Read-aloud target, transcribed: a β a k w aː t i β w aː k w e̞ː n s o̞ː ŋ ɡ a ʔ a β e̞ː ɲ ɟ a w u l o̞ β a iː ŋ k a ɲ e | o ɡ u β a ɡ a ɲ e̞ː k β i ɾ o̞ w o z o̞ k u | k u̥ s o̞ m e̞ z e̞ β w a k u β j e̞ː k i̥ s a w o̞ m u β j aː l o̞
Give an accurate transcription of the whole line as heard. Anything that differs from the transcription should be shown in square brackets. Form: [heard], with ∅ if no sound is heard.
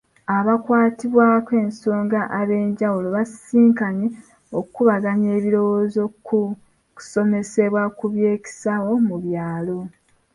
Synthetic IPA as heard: a β a k w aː t i β w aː k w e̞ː n s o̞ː ŋ ɡ a ʔ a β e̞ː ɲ ɟ a w u l o̞ β a iː ŋ k a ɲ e | o [k] u β a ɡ a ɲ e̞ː [∅] β i ɾ o̞ w o z o̞ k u | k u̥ s o̞ m e̞ [s] e̞ β w a k u β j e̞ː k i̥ s a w o̞ m u β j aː l o̞